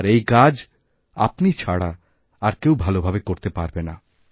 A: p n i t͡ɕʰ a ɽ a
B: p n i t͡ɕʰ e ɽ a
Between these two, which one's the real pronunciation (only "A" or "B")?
A